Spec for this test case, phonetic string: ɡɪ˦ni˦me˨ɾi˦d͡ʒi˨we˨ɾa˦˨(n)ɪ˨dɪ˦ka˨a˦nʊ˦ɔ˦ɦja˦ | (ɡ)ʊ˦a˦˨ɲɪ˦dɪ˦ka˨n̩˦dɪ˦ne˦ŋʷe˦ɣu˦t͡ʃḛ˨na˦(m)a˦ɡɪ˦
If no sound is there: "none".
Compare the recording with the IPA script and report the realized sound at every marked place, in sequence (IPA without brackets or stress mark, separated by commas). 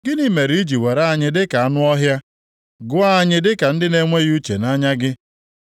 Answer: ɲ, ɡ, ɲ